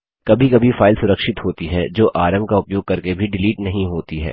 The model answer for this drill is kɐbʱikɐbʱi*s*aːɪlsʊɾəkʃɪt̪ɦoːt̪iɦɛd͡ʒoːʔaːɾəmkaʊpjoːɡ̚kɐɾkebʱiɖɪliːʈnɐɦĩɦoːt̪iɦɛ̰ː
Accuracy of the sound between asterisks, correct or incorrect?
incorrect